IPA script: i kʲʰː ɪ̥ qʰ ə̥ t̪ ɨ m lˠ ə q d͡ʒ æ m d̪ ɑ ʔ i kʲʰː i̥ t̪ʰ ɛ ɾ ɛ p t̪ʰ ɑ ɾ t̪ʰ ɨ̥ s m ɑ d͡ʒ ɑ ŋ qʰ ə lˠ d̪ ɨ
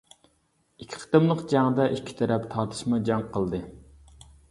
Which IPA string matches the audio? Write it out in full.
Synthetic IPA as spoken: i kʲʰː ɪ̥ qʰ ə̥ t̪ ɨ m lˠ ə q d͡ʒ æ ŋ d̪ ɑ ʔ i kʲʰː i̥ t̪ʰ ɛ ɾ ɛ p t̪ʰ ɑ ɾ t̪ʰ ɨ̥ ʃ m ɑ d͡ʒ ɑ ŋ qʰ ə lˠ d̪ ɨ